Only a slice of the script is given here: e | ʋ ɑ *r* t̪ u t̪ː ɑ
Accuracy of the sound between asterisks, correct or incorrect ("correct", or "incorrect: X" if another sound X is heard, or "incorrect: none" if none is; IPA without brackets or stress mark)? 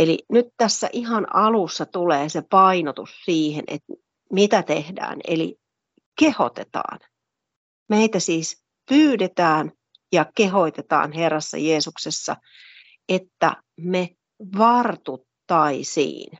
correct